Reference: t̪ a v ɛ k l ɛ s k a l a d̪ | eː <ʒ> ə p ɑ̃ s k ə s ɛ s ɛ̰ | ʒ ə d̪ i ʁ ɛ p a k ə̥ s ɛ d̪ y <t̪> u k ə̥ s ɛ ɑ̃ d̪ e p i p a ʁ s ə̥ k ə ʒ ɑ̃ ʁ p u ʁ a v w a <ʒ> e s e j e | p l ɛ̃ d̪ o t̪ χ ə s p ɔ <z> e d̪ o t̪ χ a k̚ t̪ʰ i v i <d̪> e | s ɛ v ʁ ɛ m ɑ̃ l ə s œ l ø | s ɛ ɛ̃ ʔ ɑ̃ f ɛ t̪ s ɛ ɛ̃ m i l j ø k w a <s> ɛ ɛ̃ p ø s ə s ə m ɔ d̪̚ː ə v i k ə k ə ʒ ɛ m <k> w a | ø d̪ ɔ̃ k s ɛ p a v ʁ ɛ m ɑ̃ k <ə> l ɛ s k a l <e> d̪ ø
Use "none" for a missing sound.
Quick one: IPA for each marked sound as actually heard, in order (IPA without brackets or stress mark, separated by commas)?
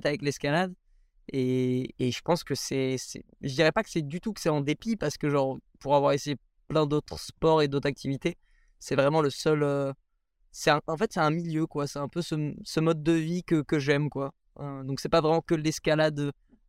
ʒ, t̪, ʁ, ʁ, t̪, s, k, ə, a